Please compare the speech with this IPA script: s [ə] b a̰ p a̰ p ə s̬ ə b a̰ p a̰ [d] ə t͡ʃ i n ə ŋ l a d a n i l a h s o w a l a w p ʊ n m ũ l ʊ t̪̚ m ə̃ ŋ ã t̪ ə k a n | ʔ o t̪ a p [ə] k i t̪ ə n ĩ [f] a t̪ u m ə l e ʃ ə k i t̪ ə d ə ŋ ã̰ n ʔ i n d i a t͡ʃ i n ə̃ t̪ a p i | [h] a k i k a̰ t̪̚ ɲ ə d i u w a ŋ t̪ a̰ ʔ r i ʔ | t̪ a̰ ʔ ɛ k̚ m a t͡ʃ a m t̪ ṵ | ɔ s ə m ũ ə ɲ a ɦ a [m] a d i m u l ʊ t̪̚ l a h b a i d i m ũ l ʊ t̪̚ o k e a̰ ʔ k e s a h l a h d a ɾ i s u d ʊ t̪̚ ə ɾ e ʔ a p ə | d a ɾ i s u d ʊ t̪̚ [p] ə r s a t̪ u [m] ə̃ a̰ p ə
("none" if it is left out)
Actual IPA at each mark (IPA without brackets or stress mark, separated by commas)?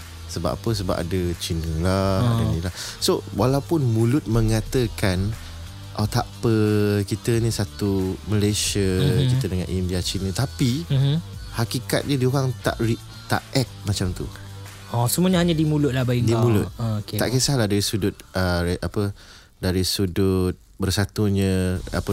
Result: ə, d, ə, s, h, ɲ, b, ɲ